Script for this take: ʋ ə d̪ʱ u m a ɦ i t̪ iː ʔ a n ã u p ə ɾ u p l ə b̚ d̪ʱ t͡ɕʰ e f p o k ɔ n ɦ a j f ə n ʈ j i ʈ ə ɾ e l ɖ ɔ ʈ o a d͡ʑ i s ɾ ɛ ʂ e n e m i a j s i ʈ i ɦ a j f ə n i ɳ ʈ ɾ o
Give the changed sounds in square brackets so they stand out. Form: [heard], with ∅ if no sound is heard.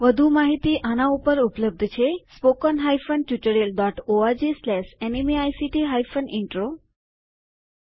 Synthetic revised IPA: ʋ ə d̪ʱ u m a ɦ i t̪ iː ʔ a n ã u p ə ɾ u p l ə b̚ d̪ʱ t͡ɕʰ e [s] p o k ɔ n ɦ a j f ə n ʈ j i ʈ ə ɾ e l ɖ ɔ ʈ o a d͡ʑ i s [l] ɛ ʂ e n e m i a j s i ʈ i ɦ a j f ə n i ɳ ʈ ɾ o